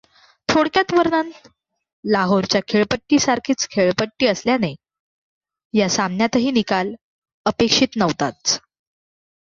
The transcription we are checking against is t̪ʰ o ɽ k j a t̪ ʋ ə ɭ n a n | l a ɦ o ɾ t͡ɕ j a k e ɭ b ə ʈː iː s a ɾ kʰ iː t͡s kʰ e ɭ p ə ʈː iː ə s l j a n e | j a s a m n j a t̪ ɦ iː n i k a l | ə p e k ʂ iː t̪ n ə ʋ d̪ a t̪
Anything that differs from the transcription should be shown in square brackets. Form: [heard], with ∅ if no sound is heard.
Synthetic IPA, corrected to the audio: t̪ʰ o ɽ k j a t̪ ʋ ə [ɾ] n a n | l a ɦ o ɾ t͡ɕ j a [kʰ] e ɭ [p] ə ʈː iː s a ɾ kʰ iː t͡s kʰ e ɭ p ə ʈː iː ə s l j a n e | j a s a m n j a t̪ ɦ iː n i k a l | ə p e k ʂ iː t̪ n ə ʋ [t̪] a t̪